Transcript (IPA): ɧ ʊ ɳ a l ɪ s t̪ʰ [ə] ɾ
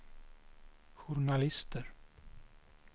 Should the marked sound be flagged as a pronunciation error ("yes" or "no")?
no